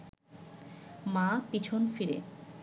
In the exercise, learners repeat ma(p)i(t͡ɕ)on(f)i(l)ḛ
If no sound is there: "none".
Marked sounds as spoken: p, t͡ɕʰ, f, ɾ

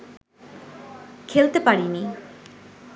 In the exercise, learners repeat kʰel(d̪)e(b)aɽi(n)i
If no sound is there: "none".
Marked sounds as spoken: t̪, p, n

